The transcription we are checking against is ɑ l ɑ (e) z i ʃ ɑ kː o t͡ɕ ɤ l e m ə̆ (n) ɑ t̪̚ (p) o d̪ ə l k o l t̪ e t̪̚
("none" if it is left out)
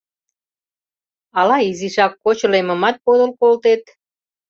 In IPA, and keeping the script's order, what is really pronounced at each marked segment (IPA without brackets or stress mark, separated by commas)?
i, m, p